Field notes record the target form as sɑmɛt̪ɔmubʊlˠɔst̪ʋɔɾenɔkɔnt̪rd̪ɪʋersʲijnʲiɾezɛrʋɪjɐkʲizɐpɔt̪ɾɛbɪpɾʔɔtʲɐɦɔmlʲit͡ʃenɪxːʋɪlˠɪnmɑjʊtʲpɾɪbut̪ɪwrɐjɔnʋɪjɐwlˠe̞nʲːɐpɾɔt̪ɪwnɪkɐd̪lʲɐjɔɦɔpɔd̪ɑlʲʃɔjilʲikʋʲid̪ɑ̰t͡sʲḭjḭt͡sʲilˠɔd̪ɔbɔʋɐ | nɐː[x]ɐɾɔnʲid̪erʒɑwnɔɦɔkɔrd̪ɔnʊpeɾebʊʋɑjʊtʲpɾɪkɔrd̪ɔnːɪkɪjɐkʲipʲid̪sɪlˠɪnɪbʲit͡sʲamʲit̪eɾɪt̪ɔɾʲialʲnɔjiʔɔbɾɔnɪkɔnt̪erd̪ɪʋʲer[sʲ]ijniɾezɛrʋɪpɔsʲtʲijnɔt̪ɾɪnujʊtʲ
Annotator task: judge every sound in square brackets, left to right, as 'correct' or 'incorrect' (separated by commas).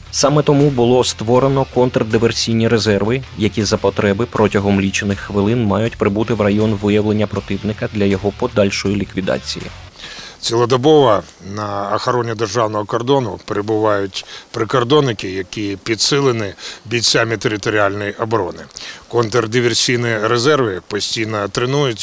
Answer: correct, correct